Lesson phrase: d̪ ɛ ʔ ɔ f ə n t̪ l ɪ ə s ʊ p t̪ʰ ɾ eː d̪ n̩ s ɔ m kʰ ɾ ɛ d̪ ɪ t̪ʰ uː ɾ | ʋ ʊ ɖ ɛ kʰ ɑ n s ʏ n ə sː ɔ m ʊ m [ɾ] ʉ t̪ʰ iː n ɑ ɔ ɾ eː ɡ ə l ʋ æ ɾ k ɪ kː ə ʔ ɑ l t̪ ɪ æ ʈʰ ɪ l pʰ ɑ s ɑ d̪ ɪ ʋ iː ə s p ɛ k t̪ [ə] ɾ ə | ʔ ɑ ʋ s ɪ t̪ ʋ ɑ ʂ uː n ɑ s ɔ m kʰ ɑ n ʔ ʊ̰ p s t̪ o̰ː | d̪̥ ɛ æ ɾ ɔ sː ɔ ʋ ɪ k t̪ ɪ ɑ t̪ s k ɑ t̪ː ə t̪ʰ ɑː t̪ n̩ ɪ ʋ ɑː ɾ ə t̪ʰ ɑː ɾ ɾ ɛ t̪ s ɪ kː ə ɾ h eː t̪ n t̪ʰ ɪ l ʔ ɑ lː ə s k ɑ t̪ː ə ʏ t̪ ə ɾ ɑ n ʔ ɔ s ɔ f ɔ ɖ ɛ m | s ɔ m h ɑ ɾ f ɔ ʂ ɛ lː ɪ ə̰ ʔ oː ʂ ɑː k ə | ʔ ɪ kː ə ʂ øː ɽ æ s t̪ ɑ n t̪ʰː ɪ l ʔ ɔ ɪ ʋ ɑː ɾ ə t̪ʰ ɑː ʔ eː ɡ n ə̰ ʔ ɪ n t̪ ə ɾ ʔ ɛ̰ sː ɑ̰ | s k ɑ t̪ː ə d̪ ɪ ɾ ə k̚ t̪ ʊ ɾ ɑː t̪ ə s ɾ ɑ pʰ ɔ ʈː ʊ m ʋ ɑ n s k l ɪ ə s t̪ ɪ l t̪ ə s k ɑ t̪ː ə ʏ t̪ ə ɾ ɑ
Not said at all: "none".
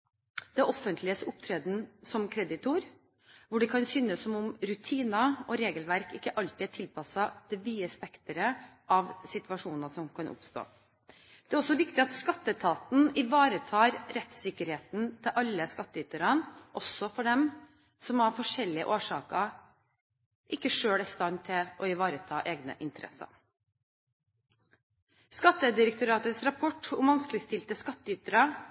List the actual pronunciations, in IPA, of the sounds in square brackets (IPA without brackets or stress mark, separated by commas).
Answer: ɾ, ə